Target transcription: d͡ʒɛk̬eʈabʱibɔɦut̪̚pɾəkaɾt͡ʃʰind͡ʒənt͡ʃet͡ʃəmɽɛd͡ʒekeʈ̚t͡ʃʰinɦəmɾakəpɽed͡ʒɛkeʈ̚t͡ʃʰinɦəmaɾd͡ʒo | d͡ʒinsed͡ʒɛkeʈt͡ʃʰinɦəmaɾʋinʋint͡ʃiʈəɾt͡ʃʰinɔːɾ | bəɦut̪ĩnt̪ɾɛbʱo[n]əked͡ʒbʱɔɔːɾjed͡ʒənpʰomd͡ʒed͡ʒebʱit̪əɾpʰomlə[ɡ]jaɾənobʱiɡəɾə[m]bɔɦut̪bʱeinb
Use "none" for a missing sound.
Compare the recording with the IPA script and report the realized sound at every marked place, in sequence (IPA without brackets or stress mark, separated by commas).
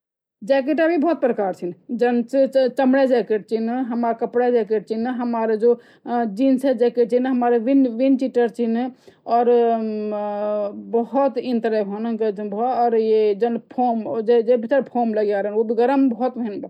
n, ɡ, m